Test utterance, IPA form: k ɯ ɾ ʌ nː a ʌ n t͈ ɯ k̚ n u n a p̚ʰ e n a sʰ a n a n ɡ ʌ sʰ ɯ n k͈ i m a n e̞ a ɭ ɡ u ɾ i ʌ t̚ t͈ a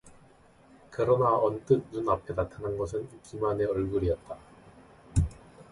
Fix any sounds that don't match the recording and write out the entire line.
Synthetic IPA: k ɯ ɾ ʌ n a ʌ n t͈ ɯ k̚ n u n a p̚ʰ e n a tʰ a n a n ɡ ʌ sʰ ɯ n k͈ i m a n e̞ ʌ ɭ ɡ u ɾ i ʌ t̚ t͈ a

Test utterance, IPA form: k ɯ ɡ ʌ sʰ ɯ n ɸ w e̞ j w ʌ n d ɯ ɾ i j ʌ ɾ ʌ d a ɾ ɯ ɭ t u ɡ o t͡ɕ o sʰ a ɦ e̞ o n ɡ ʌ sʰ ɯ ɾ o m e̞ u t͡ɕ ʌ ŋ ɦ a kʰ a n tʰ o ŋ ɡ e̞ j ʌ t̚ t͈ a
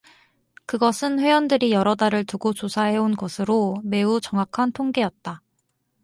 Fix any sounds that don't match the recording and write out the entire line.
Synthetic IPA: k ɯ ɡ ʌ sʰ ɯ n ɸ w e̞ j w ʌ n d ɯ ɾ i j ʌ ɾ ʌ d a ɾ ɯ ɭ t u ɡ o t͡ɕ o sʰ a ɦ e̞ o n ɡ ʌ sʰ ɯ ɾ o m e̞ u t͡ɕ ʌ ŋ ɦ a kʰ a n tʰ o ŋ ɡ e̞ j ʌ t̚ t͈ a

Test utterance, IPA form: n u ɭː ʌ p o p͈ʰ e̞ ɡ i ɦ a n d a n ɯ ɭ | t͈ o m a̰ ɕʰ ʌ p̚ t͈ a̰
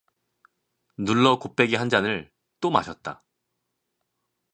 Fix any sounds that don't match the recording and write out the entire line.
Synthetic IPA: n u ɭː ʌ k o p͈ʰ e̞ ɡ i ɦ a n d͡ʑ a n ɯ ɭ | t͈ o m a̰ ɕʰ ʌ t̚ t͈ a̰

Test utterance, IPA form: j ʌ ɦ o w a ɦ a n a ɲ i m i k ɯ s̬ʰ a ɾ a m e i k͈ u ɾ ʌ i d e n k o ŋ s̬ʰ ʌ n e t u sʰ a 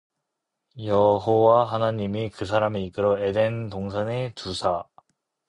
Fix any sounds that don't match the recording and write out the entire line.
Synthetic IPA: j ʌ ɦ o w a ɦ a n a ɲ i m i k ɯ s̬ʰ a ɾ a m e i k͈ ɯ ɾ ʌ e d e n t o ŋ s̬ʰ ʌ n e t u sʰ a

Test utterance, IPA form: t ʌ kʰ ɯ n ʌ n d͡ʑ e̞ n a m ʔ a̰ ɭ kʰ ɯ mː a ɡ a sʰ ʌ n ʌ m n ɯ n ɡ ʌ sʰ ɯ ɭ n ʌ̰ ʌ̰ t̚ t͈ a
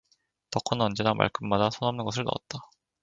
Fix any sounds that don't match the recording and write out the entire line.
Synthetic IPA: t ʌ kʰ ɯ n ʌ n d͡ʑ e̞ n a m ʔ a̰ ɭ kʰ ɯ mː a d a sʰ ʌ n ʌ m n ɯ n ɡ ʌ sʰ ɯ ɭ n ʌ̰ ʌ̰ t̚ t͈ a

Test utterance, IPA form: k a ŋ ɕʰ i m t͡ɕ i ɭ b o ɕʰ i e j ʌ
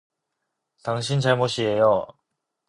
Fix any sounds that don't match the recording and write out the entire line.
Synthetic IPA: t a ŋ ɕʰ i n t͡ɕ a ɭ m o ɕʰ i e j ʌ

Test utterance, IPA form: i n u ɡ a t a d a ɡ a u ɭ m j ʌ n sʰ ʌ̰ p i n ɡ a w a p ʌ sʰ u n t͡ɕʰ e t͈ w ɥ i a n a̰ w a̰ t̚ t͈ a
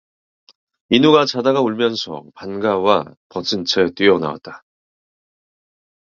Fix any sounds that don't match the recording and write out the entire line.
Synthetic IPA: i n u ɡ a t͡ɕ a d a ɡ a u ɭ m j ʌ n sʰ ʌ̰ p a n ɡ a w a p ʌ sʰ ɯ n t͡ɕʰ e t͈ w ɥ i ʌ n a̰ w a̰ t̚ t͈ a

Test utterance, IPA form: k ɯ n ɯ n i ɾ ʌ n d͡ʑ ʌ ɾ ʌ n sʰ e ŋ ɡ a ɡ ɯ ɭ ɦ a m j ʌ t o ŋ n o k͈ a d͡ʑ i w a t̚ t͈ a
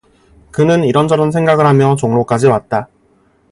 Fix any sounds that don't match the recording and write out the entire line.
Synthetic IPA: k ɯ n ɯ n i ɾ ʌ n d͡ʑ ʌ ɾ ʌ n sʰ e ŋ ɡ a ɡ ɯ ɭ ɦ a m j ʌ t͡ɕ o ŋ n o k͈ a d͡ʑ i w a t̚ t͈ a

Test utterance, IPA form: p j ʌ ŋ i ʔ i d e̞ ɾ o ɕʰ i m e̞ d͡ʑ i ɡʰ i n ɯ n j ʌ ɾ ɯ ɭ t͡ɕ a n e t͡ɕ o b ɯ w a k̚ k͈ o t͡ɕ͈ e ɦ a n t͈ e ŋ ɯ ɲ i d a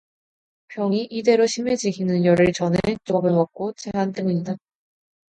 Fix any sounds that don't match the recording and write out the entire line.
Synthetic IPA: p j ʌ ŋ i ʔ i d e̞ ɾ o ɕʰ i m e̞ d͡ʑ i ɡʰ i n ɯ n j ʌ ɾ ɯ ɭ t͡ɕ ʌ n e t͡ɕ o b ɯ w a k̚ k͈ o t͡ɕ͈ e ɦ a n t͈ e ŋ u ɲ i d a

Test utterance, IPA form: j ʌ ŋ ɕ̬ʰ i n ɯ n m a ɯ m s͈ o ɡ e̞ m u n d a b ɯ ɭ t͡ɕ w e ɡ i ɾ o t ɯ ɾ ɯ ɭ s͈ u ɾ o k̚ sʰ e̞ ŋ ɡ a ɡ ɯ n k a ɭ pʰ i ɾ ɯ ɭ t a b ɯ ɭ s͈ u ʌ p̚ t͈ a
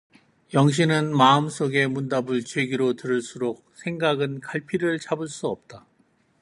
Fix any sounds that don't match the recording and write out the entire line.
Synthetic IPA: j ʌ ŋ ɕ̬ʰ i n ɯ n m a ɯ m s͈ o ɡ e̞ m u n d a b ɯ ɭ t͡ɕ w e ɡ i ɾ o t ɯ ɾ ɯ ɭ s͈ u ɾ o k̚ sʰ e̞ ŋ ɡ a ɡ ɯ n k a ɭ pʰ i ɾ ɯ ɭ t͡ɕ a b ɯ ɭ s͈ u ʌ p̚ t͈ a

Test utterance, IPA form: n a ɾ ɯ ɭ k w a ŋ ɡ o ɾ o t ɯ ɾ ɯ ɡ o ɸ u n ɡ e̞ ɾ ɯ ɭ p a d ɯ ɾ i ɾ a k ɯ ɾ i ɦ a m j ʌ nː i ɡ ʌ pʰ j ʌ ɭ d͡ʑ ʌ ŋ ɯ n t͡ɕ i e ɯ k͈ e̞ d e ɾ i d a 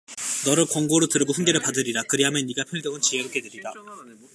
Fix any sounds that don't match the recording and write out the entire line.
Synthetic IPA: n ʌ ɾ ɯ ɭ k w ʌ ŋ ɡ o ɾ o t ɯ ɾ ɯ ɡ o ɸ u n ɡ e̞ ɾ ɯ ɭ p a d ɯ ɾ i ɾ a k ɯ ɾ i ɦ a m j ʌ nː i ɡ a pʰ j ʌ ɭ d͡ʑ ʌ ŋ ɯ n t͡ɕ i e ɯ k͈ e̞ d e ɾ i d a

